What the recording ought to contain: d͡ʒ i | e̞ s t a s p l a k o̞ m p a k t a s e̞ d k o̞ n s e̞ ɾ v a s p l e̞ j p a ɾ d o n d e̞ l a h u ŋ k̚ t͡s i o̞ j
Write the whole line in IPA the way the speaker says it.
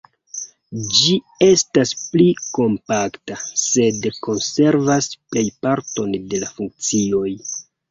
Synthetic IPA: d͡ʒ i | e̞ s t a s p l i k o̞ m p a k t a s e̞ d k o̞ n s e̞ ɾ v a s p l e̞ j p a ɾ t o n d e̞ l a f u ŋ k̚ t͡s i o̞ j